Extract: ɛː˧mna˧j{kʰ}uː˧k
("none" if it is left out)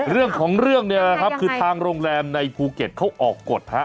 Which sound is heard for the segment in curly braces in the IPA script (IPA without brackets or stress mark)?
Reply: pʰ